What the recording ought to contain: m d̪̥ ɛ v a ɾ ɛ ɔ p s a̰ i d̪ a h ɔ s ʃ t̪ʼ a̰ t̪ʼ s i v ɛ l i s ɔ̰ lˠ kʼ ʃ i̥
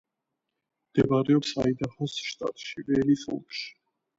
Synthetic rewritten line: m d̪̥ ɛ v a ɾ ɛ ɔ p s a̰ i d̪ a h ɔ s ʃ t̪ʼ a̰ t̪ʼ ʃ i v ɛ l i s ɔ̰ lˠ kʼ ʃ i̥